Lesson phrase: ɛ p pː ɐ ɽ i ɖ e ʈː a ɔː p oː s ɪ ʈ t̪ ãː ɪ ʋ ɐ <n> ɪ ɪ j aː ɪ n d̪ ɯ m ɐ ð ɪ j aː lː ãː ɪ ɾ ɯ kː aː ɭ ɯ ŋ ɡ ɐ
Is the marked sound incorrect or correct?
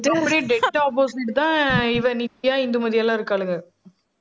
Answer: correct